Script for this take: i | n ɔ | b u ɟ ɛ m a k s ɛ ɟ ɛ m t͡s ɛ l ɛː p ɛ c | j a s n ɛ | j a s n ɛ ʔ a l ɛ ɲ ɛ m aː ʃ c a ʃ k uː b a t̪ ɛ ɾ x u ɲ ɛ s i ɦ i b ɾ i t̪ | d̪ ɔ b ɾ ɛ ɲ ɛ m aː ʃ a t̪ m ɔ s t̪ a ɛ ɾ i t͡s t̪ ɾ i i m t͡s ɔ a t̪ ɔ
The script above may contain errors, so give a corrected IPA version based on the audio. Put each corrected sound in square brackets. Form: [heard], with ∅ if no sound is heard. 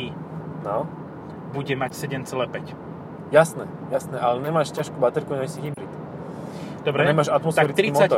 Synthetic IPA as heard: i | n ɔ | b u ɟ ɛ m a [c] s ɛ ɟ ɛ m t͡s ɛ l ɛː p ɛ c | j a s n ɛ | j a s n ɛ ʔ a l ɛ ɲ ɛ m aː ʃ c a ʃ k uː b a t̪ ɛ ɾ [k] u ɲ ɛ s i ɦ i b ɾ i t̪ | d̪ ɔ b ɾ ɛ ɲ ɛ m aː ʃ a t̪ m ɔ s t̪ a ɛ ɾ i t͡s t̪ ɾ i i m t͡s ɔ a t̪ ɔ